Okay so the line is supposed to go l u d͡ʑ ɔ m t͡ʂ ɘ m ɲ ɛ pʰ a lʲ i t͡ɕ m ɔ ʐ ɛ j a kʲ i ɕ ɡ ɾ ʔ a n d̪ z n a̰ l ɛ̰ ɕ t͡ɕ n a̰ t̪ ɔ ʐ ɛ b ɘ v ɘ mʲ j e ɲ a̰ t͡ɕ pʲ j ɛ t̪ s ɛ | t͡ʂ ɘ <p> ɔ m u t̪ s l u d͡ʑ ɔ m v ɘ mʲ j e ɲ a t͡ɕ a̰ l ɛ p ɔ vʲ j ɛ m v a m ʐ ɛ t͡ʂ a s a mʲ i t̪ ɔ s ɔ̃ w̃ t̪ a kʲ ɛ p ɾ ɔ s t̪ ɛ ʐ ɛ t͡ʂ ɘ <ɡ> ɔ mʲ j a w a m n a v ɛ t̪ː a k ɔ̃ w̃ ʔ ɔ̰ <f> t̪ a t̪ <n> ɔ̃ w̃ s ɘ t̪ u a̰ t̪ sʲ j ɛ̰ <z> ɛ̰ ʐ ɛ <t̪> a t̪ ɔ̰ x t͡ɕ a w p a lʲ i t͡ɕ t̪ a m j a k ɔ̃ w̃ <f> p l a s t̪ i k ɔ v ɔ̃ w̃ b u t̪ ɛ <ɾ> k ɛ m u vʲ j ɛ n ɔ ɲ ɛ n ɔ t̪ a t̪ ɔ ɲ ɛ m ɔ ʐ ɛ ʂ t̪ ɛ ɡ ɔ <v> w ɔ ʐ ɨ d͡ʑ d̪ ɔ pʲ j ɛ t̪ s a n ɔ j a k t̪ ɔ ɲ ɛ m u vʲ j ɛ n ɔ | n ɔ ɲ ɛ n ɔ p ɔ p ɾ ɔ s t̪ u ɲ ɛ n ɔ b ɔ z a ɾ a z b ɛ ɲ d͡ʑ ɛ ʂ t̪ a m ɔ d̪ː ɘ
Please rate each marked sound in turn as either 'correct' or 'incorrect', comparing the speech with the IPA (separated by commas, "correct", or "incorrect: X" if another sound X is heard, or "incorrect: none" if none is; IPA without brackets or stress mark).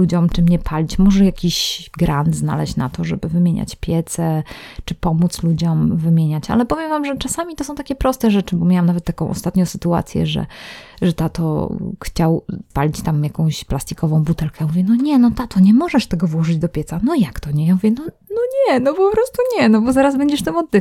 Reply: correct, incorrect: b, incorrect: s, incorrect: ɲ, incorrect: ʐ, correct, incorrect: ɕ, incorrect: l, correct